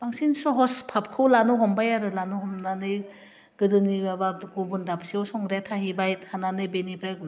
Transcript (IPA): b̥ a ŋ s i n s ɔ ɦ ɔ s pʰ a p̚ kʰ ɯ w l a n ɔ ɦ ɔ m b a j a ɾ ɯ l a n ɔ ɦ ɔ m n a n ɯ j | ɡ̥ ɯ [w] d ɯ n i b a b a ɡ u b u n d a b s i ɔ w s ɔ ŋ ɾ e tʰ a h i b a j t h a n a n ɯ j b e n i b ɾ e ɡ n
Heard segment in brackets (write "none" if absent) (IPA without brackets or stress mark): none